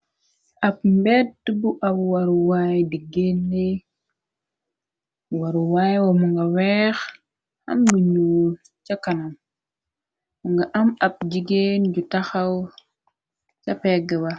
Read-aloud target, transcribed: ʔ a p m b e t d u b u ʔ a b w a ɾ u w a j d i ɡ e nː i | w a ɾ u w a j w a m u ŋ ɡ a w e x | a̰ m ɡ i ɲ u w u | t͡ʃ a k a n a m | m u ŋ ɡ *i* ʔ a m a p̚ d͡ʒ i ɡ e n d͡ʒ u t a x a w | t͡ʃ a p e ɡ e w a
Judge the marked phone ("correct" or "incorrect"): incorrect